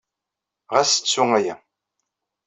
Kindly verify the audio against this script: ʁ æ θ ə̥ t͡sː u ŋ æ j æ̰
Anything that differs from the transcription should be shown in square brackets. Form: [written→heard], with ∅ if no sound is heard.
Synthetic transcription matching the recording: ʁ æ [θ→s] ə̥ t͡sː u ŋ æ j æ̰